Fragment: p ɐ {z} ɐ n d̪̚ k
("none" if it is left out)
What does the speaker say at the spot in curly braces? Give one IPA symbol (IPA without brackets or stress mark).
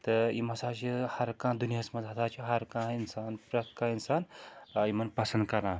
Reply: s